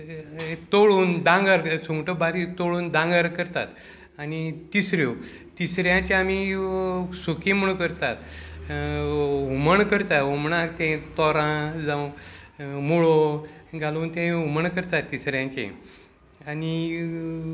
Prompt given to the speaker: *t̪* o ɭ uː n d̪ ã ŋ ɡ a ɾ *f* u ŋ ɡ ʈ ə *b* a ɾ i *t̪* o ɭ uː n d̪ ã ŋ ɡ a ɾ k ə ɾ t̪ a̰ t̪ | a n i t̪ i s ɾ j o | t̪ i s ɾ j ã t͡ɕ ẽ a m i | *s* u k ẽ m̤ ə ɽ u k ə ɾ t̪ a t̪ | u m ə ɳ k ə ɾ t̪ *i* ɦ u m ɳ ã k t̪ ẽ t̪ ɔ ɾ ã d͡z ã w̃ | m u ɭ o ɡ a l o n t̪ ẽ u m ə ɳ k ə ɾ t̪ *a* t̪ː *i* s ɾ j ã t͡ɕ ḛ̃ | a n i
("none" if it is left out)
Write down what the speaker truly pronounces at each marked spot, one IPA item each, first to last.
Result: t̪, s, b, t̪, s, a, a, i

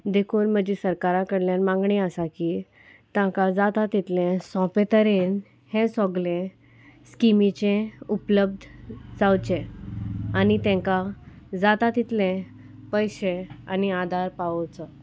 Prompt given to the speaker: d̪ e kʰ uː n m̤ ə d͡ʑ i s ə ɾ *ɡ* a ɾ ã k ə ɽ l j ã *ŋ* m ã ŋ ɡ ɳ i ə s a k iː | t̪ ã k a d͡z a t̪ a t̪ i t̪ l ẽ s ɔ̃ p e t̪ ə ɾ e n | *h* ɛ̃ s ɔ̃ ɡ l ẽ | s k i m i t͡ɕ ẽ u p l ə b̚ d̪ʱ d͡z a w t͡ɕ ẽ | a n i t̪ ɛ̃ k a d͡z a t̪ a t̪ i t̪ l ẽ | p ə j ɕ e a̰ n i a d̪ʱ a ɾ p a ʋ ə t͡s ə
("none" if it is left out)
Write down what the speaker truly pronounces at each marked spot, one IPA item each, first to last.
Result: k, n, h

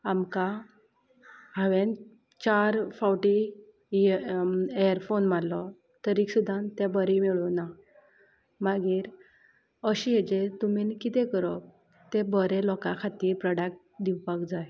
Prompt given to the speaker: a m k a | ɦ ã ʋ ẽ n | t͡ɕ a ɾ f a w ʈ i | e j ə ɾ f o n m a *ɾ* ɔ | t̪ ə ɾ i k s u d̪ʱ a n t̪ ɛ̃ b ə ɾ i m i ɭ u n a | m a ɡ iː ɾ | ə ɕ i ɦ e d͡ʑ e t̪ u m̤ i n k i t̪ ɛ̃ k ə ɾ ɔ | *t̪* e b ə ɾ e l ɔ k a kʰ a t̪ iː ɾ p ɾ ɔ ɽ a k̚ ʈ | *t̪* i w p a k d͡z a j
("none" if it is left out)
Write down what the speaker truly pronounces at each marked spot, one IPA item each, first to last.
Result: l, t̪, d̪

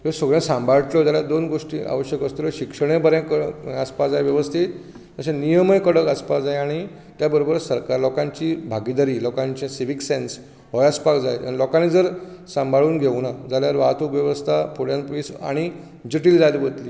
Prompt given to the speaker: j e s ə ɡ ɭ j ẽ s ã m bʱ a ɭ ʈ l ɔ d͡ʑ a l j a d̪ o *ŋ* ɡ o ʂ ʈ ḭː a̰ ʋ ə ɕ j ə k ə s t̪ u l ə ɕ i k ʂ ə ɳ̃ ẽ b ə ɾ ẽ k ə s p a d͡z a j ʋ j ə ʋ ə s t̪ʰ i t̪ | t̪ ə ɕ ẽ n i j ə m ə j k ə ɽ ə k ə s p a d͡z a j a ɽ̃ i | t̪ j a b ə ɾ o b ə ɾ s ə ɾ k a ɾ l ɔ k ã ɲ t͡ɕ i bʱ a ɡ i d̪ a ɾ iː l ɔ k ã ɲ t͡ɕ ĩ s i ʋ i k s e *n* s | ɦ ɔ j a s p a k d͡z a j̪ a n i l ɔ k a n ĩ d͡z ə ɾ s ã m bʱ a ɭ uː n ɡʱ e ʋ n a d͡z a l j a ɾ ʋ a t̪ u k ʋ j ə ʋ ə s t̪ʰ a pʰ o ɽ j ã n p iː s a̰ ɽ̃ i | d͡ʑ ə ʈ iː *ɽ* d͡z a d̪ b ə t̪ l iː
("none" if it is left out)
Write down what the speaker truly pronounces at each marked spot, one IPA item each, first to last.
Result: n, n, l

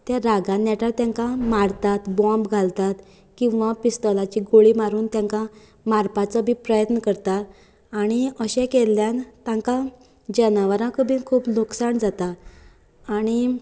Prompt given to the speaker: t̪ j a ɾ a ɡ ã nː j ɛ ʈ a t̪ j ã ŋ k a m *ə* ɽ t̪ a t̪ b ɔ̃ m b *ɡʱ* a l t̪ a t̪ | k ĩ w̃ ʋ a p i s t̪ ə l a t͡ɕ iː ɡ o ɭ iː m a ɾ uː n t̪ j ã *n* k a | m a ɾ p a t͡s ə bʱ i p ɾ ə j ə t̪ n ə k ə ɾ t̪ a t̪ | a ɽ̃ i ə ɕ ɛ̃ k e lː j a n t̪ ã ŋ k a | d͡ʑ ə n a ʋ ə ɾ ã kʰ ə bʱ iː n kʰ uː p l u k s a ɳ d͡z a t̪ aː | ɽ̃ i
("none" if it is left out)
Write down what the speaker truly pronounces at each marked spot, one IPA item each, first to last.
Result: a, ɡʱ, ŋ

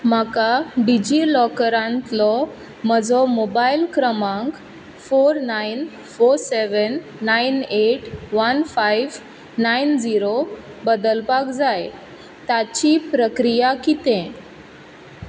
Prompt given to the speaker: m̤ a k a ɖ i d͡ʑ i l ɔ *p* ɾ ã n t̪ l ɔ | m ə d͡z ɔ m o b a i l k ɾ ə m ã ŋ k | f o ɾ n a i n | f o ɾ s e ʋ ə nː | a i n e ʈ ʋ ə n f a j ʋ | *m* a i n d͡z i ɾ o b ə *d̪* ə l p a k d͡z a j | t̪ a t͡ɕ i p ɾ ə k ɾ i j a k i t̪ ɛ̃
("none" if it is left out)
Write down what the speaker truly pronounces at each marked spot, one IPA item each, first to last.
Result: k, n, d̪

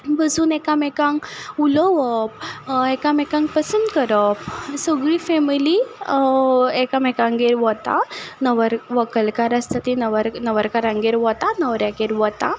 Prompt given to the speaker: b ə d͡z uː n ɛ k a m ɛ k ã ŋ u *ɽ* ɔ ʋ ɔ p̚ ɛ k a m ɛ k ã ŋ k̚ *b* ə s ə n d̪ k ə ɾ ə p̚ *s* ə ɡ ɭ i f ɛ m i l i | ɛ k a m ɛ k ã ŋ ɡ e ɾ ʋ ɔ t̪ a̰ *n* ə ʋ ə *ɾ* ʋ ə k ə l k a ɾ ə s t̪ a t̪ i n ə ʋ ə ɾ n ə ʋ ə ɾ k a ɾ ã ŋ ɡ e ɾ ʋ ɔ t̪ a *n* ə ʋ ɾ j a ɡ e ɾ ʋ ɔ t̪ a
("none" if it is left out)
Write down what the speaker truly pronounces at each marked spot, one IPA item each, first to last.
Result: l, p, s, n, ɾ, n

